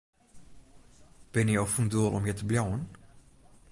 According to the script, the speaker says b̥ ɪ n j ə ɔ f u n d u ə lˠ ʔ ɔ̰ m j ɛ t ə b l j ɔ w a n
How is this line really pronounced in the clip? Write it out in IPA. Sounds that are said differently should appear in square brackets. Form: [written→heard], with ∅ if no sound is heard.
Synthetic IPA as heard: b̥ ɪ n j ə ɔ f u n d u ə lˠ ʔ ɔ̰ m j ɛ t ə b l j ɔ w [a→ə] n